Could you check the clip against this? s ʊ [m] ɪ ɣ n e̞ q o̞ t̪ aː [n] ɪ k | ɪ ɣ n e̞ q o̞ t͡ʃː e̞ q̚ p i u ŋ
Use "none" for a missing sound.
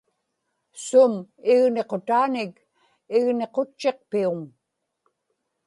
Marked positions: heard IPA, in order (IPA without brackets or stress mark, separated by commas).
m, n